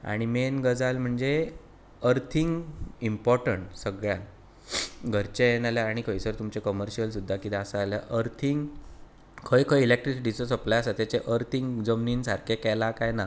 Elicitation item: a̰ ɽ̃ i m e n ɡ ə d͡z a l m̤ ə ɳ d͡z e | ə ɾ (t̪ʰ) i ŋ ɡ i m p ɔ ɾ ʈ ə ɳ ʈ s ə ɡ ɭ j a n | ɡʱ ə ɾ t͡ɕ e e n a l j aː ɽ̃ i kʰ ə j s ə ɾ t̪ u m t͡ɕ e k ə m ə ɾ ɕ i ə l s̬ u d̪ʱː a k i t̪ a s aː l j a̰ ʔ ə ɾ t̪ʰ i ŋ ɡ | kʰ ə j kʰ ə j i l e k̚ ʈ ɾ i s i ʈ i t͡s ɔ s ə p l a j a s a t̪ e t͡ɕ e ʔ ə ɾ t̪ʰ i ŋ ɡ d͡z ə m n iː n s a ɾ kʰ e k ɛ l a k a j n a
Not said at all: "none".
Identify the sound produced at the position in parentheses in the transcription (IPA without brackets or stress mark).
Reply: t̪ʰ